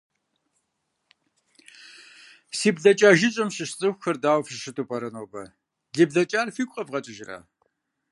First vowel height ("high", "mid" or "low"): high